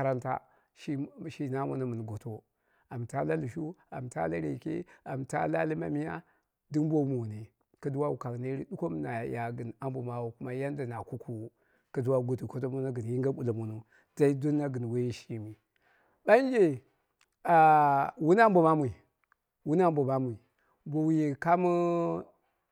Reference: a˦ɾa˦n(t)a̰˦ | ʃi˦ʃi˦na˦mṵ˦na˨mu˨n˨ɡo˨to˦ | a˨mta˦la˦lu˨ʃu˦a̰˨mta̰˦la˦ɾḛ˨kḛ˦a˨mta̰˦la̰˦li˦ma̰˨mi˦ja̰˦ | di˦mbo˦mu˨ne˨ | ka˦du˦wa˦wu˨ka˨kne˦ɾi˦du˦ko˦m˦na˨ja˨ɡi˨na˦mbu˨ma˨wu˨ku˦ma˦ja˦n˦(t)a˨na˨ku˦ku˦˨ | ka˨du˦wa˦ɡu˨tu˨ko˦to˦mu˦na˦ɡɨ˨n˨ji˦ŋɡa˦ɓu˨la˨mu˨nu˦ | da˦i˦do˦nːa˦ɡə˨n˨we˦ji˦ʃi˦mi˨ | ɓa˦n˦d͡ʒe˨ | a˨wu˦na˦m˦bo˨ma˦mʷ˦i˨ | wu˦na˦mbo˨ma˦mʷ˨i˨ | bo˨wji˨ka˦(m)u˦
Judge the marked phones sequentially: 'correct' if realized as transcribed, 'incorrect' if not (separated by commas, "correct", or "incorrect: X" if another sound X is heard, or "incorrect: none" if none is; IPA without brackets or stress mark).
correct, incorrect: d, correct